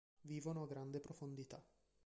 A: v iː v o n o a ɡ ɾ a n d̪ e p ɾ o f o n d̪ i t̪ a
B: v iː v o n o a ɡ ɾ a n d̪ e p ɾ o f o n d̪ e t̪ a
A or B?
A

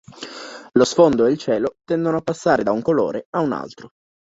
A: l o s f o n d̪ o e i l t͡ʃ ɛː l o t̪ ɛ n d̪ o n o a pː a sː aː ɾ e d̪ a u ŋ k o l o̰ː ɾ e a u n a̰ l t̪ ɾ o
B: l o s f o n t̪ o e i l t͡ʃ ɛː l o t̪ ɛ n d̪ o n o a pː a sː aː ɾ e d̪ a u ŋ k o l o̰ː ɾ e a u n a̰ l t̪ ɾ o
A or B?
A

